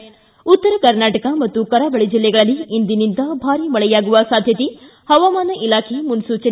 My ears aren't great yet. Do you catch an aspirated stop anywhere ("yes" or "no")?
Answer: yes